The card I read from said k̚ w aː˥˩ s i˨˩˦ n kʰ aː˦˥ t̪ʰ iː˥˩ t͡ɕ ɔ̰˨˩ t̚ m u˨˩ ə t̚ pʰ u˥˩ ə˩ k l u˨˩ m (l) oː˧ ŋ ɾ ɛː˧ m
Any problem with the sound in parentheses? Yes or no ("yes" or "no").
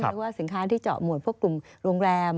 yes